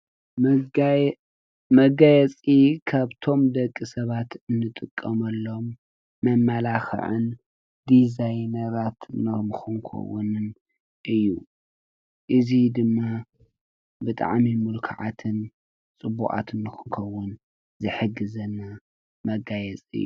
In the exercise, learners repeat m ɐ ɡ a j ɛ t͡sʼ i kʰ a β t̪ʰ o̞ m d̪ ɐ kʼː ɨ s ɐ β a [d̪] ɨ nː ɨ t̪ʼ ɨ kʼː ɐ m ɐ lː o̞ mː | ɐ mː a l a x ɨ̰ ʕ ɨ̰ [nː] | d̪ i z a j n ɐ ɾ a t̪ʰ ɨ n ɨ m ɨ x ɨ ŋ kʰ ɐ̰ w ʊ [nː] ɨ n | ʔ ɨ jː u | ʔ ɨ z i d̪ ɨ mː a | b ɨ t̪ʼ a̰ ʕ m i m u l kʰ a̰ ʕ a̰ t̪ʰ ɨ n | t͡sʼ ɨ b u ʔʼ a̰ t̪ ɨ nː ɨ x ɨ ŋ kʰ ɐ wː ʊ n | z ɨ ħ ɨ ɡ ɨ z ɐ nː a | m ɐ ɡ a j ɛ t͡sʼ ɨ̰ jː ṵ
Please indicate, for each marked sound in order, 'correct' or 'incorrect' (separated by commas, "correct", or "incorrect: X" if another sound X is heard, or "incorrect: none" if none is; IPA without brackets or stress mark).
incorrect: t̪, incorrect: n, incorrect: n